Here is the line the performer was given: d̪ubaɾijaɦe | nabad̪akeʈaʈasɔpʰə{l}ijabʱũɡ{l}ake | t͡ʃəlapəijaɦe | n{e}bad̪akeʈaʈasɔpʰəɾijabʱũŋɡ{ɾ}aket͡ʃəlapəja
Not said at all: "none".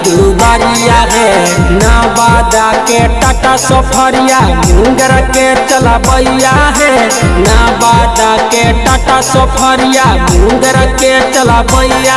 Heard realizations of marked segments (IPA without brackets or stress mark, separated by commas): ɾ, ɾ, a, ɾ